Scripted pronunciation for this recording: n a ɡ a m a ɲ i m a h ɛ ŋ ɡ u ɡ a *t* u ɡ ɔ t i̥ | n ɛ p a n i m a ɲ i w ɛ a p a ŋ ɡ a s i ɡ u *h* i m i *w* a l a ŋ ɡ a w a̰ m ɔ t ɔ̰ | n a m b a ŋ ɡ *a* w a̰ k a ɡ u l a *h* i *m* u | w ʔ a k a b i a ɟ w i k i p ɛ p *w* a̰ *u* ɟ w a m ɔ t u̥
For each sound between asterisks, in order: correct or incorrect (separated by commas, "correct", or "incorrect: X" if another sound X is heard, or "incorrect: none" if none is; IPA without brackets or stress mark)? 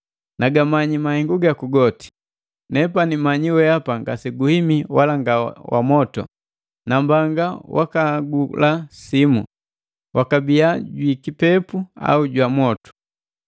incorrect: k, correct, correct, correct, incorrect: s, correct, incorrect: u, correct